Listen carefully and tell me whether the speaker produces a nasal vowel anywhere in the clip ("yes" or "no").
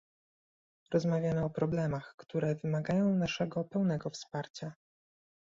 yes